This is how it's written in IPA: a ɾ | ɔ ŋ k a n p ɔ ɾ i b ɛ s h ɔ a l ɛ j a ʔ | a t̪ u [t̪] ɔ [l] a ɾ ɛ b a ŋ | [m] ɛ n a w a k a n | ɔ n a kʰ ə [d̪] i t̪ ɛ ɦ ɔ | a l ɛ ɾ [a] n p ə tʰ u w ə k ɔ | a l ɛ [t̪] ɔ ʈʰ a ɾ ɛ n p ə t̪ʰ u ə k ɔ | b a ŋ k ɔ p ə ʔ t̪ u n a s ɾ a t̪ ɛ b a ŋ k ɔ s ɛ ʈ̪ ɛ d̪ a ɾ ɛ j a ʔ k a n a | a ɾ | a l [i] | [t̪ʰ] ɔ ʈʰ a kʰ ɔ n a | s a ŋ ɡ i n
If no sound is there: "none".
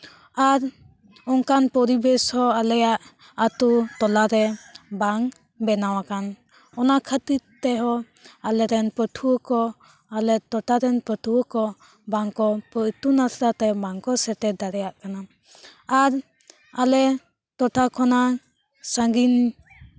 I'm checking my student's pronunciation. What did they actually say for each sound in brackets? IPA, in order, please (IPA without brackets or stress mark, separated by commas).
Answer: t̪, l, b, t̪, ɛ, t̪, ɛ, t̪